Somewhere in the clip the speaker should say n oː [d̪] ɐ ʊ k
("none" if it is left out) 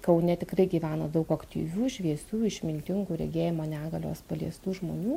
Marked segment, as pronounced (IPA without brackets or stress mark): d̪